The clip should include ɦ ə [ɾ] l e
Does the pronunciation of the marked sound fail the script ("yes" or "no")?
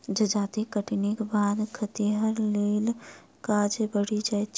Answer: no